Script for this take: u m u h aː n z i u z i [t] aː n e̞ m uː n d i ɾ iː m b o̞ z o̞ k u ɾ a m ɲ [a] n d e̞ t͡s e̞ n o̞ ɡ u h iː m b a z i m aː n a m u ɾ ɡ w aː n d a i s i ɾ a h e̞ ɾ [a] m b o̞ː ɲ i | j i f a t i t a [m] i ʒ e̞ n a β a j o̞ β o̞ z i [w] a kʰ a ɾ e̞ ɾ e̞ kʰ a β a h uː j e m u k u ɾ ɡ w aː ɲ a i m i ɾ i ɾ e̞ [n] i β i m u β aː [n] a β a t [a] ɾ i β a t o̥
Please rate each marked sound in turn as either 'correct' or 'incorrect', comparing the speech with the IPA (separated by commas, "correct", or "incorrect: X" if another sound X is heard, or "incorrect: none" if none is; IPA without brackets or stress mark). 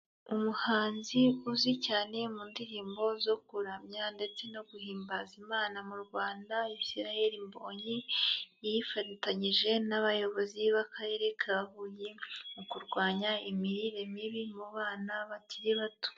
incorrect: c, correct, incorrect: i, incorrect: ɲ, incorrect: β, incorrect: m, correct, incorrect: i